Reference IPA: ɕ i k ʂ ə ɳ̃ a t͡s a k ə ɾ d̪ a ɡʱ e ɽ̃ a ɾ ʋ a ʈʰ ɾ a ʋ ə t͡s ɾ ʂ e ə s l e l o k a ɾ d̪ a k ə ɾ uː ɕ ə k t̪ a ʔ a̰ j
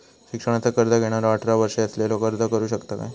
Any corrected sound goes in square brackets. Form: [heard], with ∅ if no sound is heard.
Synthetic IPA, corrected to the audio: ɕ i k ʂ ə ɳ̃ a t͡s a k ə ɾ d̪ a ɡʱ e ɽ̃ a ɾ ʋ a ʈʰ ɾ a ʋ ə [∅] ɾ ʂ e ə s l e l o k [ə] ɾ d̪ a k ə ɾ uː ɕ ə k t̪ a [k] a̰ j